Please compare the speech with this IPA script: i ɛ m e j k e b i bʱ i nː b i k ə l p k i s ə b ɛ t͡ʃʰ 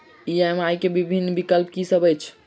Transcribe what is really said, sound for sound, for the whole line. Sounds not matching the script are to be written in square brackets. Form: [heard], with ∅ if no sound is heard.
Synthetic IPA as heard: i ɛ m [a] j k e b i bʱ i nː b i k ə l p k i s ə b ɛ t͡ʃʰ